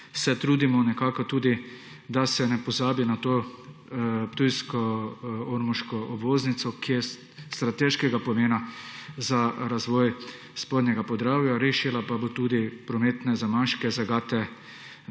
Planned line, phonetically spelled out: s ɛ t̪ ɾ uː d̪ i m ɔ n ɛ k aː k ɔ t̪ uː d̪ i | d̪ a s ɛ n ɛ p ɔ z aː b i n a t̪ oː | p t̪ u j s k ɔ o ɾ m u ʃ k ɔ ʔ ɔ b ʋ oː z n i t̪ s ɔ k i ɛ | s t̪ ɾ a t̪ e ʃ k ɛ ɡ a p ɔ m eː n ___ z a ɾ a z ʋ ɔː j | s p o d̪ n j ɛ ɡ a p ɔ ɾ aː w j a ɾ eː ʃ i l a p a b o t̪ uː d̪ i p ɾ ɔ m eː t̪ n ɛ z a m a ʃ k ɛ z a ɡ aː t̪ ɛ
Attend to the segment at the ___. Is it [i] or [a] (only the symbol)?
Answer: a